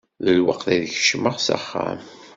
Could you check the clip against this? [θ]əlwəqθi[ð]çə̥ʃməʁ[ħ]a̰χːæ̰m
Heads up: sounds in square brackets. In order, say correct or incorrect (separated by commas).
incorrect, correct, incorrect